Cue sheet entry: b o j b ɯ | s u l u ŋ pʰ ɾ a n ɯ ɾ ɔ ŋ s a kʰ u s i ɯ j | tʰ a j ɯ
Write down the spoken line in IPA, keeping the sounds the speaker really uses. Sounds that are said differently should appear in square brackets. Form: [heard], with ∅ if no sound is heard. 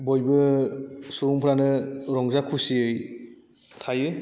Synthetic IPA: b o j b ɯ | s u [ɾ] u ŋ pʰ ɾ a n ɯ ɾ ɔ ŋ [z] a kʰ u s i ɯ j | tʰ a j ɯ